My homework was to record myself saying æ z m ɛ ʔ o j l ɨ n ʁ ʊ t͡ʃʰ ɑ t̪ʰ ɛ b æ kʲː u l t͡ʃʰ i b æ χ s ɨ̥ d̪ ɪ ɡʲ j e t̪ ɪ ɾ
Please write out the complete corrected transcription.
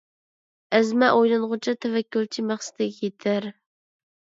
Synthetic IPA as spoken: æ z m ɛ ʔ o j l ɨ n ʁ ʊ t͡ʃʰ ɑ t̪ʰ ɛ v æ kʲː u l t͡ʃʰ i m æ χ s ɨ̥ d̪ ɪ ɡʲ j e t̪ʰ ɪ ɾ